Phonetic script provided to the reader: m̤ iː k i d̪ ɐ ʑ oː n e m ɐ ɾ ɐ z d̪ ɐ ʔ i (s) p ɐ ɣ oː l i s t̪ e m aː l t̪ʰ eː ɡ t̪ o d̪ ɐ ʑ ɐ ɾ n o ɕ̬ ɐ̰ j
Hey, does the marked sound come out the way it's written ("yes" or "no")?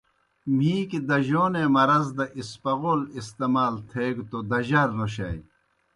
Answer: yes